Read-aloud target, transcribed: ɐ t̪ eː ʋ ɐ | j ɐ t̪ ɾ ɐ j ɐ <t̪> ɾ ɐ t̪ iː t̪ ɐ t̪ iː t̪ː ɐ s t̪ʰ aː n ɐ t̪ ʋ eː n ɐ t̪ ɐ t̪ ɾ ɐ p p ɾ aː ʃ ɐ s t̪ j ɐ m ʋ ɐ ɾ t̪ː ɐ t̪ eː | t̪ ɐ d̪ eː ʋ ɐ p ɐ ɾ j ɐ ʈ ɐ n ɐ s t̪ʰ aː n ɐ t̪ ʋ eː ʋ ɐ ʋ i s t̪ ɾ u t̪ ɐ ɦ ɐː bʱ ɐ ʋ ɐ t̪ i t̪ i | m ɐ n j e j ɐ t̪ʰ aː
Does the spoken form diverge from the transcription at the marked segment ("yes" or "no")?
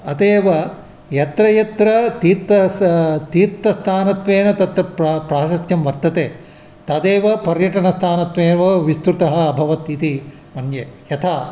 no